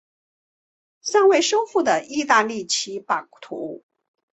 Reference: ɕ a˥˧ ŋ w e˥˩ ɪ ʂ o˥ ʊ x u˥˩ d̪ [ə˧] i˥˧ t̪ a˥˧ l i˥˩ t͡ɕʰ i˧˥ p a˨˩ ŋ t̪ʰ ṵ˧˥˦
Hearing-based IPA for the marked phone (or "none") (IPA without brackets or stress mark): ə˩